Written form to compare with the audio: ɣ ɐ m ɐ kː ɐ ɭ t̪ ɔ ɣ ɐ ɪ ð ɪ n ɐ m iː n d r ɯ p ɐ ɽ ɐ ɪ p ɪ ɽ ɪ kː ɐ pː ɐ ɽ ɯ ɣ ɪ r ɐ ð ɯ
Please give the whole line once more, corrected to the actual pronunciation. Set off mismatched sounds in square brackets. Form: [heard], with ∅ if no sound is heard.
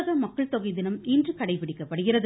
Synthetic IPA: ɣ ɐ m ɐ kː ɐ ɭ t̪ ɔ ɣ ɐ ɪ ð ɪ n ɐ m iː n d r ɯ [k] ɐ ɽ ɐ ɪ p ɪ ɽ ɪ kː ɐ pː ɐ ɽ ɯ ɣ ɪ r ɐ ð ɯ